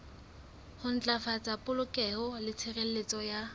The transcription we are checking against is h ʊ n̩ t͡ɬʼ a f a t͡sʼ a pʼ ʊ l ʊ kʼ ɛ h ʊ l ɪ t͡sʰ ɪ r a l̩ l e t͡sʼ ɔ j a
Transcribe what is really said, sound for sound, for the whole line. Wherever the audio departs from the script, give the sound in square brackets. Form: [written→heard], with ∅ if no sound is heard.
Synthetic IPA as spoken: h ʊ n̩ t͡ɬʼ a f a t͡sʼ a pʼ ʊ l ʊ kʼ ɛ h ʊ l ɪ t͡sʰ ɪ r [a→e] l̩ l e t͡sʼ ɔ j a